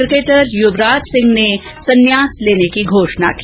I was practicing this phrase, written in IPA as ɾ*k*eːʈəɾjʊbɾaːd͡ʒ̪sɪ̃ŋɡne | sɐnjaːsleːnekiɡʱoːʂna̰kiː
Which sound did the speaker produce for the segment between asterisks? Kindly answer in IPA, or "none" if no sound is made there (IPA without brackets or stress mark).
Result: k